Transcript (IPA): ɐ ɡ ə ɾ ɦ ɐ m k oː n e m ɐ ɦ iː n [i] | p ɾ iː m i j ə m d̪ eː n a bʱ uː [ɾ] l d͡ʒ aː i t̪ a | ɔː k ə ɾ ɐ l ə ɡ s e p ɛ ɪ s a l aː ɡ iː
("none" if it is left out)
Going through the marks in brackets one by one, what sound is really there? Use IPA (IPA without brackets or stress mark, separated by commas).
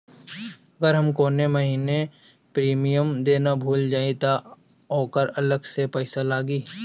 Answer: e, none